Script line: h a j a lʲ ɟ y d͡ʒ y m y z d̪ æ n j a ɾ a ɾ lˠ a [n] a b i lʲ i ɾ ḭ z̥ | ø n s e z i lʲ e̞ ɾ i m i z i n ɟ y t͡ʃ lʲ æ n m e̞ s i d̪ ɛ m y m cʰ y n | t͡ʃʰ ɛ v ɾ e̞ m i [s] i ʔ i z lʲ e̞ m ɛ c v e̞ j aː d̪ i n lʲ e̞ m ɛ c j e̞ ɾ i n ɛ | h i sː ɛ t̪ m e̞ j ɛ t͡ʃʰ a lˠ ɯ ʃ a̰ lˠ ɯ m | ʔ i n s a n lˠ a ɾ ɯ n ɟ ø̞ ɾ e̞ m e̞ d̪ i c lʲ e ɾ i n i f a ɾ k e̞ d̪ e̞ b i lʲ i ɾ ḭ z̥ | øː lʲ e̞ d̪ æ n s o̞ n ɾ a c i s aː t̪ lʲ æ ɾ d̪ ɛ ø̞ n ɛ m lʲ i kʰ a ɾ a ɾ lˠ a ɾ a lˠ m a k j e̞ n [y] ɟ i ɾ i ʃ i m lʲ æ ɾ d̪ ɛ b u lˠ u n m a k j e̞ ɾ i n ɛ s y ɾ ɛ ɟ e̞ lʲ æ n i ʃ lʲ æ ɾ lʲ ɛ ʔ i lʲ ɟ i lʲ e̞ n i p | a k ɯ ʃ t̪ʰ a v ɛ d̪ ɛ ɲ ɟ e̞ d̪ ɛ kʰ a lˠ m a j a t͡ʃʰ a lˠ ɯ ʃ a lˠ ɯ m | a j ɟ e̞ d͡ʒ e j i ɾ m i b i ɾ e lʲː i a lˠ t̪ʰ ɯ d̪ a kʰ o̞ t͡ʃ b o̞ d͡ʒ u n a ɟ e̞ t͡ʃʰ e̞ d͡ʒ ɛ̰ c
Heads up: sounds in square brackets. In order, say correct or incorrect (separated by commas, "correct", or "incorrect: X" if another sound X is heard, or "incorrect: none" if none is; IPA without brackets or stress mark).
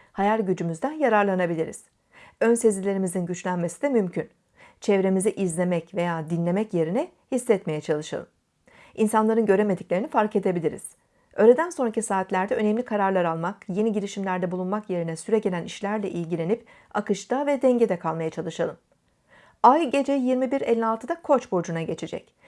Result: correct, incorrect: z, incorrect: i